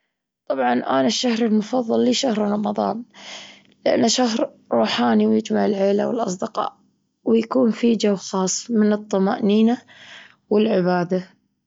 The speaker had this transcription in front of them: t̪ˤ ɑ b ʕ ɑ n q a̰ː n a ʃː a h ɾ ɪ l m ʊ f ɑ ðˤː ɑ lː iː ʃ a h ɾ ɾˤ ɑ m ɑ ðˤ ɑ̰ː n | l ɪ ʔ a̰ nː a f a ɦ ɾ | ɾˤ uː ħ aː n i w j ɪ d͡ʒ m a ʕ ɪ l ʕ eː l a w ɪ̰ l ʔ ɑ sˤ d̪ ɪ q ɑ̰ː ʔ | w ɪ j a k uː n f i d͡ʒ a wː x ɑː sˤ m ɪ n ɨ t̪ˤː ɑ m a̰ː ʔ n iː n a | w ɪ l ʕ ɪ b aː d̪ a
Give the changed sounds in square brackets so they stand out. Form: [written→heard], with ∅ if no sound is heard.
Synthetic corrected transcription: t̪ˤ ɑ b ʕ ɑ n [q→ʔ] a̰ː n a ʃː a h ɾ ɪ l m ʊ f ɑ ðˤː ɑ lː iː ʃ a h ɾ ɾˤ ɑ m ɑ ðˤ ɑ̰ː n | l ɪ ʔ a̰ nː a [f→ʃ] a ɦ ɾ | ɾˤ uː ħ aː n i w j ɪ d͡ʒ m a ʕ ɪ l ʕ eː l a w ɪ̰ l ʔ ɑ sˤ d̪ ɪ q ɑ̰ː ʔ | w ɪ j a k uː n f i d͡ʒ a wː x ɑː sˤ m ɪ n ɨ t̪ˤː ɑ m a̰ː ʔ n iː n a | w ɪ l ʕ ɪ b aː d̪ a